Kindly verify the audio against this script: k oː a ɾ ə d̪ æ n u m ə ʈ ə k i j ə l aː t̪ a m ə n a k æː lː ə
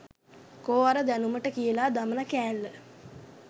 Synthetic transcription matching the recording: k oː a ɾ ə d̪ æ n u m ə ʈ ə k i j ə l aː d̪ a m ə n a k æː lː ə

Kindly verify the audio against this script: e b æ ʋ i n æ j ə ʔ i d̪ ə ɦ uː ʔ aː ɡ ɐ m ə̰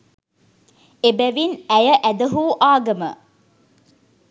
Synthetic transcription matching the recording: e b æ ʋ i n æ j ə ʔ æ d̪ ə ɦ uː ʔ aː ɡ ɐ m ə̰

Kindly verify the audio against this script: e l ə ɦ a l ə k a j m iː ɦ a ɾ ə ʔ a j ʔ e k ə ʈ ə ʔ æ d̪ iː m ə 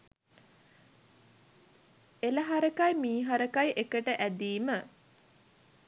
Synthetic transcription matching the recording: e l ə ɦ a ɾ ə k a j m iː ɦ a ɾ ə k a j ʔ e k ə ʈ ə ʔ æ d̪ iː m ə

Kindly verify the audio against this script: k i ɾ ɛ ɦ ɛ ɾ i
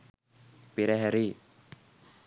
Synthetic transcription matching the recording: p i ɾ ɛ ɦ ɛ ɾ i

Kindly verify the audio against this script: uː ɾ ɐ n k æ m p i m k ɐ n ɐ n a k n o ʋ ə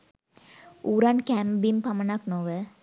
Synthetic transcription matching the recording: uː ɾ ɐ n k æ m b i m p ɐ m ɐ n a k n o ʋ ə

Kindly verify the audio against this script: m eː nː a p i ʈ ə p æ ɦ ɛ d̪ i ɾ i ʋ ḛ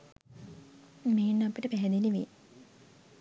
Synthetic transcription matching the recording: m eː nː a p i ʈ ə p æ ɦ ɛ d̪ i l i ʋ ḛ

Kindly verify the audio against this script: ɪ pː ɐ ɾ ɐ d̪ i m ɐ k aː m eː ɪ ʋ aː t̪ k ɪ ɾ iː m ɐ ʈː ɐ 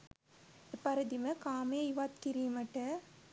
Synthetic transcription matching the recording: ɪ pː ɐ ɾ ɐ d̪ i m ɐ k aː m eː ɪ ʋ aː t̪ k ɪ ɾ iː m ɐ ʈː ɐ

